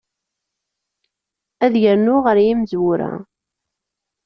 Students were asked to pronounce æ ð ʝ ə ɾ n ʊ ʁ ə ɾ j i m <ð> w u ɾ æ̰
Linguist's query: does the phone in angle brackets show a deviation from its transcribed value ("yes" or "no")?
yes